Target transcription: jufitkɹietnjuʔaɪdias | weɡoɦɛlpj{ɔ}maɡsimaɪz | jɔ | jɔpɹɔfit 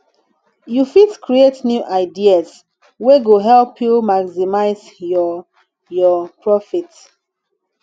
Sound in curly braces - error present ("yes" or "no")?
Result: yes